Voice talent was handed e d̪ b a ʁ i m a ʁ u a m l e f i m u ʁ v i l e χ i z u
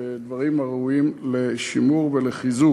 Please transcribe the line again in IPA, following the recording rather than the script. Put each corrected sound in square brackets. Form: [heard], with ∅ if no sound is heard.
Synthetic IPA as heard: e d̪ [v] a ʁ i m a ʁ u [i] m l e [ʃ] i m u ʁ v [e] l e χ i z u